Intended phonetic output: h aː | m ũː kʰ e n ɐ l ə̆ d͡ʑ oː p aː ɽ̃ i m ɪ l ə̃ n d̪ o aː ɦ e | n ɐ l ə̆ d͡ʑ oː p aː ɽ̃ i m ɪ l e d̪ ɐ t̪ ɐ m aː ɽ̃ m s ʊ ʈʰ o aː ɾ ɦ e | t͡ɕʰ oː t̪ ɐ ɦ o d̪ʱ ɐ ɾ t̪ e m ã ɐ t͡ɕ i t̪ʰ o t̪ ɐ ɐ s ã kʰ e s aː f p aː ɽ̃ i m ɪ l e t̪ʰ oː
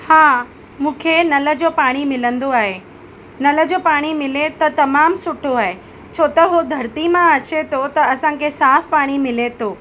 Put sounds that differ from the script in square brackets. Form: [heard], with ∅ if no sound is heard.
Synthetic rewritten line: h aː | m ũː kʰ e n ɐ l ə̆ d͡ʑ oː p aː ɽ̃ i m ɪ l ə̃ n d̪ o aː ɦ e | n ɐ l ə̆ d͡ʑ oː p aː ɽ̃ i m ɪ l e [t̪] ɐ t̪ ɐ m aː [∅] m s ʊ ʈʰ o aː [∅] ɦ e | t͡ɕʰ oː t̪ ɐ ɦ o d̪ʱ ɐ ɾ t̪ [i] m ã ɐ t͡ɕ [e] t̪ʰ o t̪ ɐ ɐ s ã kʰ e s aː f p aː ɽ̃ i m ɪ l e t̪ʰ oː